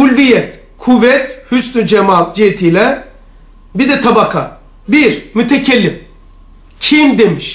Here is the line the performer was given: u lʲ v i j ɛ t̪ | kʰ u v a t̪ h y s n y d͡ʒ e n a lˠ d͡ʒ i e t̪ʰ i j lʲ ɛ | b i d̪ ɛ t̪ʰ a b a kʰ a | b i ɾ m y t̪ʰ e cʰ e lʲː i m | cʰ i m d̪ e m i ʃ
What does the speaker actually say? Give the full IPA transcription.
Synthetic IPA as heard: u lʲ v i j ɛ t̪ | kʰ u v ɛ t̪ h y s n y d͡ʒ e m a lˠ d͡ʒ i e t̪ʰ i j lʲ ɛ | b i d̪ ɛ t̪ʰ a b a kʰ a | b i ɾ m y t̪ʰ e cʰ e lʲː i m | cʰ i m d̪ e m i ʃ